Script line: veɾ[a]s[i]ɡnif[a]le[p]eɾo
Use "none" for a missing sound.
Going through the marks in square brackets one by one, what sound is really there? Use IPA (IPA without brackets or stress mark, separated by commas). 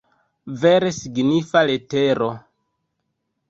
e, i, a, t